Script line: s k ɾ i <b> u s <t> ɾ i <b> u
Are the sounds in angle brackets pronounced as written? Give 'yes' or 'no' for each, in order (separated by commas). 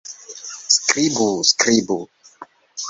yes, no, yes